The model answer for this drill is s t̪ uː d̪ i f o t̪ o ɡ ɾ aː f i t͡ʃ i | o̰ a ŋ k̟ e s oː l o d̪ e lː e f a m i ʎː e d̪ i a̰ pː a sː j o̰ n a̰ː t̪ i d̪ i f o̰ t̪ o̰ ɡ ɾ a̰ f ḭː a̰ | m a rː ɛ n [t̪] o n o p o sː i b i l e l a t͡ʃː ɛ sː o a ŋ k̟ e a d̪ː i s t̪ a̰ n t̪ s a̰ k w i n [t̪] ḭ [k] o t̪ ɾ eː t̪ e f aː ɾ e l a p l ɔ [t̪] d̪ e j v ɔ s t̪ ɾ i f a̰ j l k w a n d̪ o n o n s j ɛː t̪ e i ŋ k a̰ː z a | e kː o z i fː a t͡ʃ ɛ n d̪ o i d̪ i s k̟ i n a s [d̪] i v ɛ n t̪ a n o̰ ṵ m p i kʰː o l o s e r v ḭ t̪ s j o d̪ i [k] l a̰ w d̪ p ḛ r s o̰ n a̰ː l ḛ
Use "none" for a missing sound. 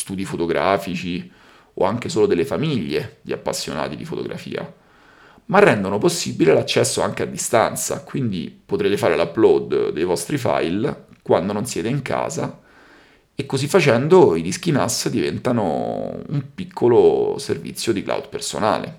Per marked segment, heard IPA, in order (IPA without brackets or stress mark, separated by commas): d̪, d̪, p, d̪, d̪, k